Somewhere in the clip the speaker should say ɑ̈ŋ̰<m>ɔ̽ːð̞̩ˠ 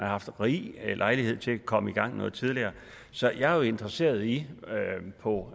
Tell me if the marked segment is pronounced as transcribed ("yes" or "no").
no